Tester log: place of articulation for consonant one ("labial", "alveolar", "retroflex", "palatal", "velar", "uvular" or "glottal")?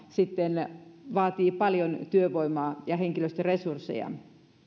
alveolar